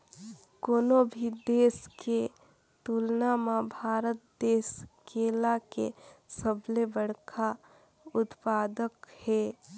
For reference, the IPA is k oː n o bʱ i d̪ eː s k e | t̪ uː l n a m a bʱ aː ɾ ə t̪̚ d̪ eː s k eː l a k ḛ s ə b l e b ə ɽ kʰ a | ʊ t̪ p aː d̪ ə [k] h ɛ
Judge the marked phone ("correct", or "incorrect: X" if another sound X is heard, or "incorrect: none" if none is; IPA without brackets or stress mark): correct